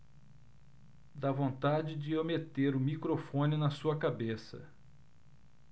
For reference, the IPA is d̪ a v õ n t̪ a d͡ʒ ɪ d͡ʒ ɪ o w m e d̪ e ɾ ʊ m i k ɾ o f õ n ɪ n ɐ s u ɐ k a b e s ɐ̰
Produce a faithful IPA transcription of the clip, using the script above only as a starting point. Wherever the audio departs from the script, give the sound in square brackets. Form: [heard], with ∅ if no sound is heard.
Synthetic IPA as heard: d̪ a v õ n t̪ a d͡ʒ ɪ d͡ʒ ɪ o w m e [t̪] e ɾ ʊ m i k ɾ o f õ n ɪ n ɐ s u ɐ k a b e s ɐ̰